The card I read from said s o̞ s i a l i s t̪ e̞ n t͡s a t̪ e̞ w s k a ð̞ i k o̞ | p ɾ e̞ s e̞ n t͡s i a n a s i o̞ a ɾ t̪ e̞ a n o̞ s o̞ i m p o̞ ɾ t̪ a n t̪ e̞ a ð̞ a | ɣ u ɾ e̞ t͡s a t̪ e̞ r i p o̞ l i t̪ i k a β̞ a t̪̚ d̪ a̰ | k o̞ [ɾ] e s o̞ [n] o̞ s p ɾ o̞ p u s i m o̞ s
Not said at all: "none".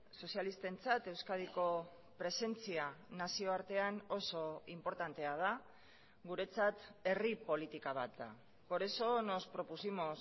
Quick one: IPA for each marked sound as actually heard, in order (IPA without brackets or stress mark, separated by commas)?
ɾ, n